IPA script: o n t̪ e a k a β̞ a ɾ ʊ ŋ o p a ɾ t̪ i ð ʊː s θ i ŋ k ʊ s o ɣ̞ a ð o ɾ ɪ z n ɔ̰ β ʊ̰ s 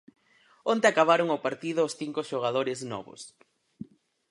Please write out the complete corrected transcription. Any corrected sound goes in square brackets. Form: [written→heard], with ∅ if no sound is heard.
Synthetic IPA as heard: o n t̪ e a k a β̞ a ɾ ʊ ŋ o p a ɾ t̪ i ð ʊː s θ i ŋ k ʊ [s→ʃ] o ɣ̞ a ð o ɾ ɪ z n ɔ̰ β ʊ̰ s